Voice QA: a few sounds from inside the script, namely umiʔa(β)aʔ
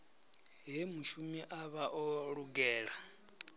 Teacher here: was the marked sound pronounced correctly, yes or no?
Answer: yes